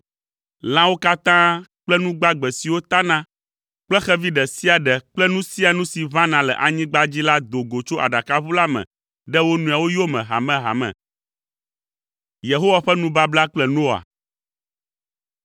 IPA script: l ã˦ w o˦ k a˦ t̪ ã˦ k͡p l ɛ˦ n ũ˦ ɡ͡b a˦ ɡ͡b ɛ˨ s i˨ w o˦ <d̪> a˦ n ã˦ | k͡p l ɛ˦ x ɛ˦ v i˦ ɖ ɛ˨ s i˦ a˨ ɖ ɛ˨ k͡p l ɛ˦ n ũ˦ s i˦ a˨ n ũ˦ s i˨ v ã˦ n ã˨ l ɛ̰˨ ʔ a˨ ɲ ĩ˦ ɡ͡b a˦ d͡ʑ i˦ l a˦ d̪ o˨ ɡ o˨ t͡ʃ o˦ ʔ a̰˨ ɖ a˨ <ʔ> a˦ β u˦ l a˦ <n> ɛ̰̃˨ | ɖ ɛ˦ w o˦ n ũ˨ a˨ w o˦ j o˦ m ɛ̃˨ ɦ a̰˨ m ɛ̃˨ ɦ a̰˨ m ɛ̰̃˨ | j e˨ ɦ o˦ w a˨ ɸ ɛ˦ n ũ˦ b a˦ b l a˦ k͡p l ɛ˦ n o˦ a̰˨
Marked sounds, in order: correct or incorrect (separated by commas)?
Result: incorrect, incorrect, incorrect